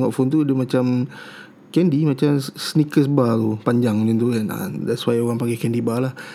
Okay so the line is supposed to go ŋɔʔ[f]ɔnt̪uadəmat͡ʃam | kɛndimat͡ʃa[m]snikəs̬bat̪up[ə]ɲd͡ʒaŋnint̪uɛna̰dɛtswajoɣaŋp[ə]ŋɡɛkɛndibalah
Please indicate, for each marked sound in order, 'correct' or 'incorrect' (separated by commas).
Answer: correct, correct, incorrect, incorrect